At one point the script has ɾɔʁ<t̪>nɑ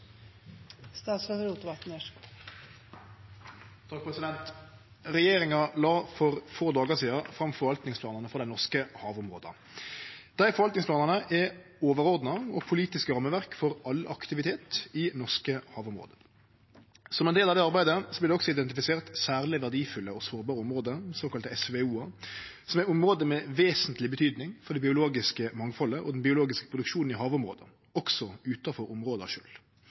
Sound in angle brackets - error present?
yes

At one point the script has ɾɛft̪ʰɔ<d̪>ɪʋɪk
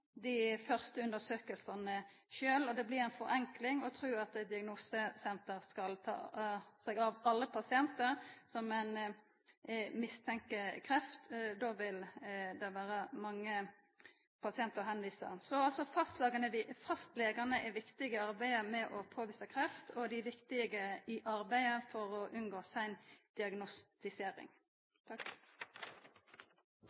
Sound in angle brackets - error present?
no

